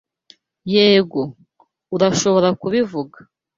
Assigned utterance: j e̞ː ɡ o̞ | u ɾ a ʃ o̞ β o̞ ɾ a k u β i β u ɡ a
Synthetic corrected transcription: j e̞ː ɡ o̞ | u ɾ a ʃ o̞ β o̞ ɾ a k u β i v u ɡ a